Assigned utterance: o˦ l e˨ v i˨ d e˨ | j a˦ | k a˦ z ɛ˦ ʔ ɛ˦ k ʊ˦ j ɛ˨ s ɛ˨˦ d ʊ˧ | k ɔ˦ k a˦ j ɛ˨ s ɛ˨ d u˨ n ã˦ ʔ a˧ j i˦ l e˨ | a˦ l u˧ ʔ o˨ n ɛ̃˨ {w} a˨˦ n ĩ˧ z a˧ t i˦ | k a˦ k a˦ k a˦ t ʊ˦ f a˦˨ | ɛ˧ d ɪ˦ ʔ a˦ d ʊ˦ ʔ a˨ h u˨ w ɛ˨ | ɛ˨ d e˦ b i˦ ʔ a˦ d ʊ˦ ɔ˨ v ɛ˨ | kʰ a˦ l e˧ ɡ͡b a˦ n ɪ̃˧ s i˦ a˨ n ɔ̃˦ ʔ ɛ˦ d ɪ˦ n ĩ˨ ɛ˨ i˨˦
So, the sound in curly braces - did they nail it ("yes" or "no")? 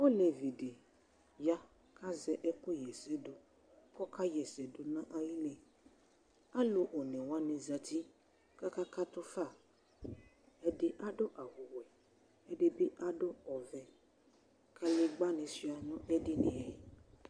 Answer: yes